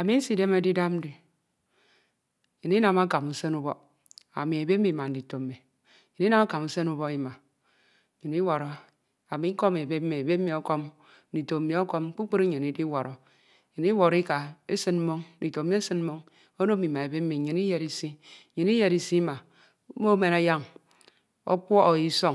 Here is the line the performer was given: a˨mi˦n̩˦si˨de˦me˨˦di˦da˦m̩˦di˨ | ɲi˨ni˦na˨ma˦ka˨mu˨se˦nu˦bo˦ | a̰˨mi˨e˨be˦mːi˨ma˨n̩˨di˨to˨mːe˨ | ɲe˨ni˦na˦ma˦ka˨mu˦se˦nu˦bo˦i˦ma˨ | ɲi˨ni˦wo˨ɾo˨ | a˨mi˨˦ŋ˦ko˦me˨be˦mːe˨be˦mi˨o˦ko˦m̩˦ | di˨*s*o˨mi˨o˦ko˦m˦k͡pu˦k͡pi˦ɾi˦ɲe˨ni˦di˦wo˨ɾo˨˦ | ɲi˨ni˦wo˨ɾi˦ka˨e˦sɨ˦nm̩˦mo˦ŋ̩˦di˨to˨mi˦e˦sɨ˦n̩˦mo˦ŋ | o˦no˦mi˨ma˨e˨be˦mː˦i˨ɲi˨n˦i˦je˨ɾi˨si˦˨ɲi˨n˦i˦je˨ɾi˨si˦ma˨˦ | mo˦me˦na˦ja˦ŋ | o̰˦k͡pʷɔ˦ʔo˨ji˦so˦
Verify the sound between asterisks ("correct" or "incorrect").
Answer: incorrect